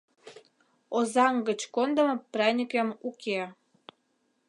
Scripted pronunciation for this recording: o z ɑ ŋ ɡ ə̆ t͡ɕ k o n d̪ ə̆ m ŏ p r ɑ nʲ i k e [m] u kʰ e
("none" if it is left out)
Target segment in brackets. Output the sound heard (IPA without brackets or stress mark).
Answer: m